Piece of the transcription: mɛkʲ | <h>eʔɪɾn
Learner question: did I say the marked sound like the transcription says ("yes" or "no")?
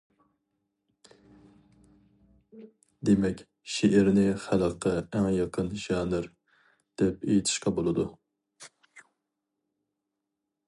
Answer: no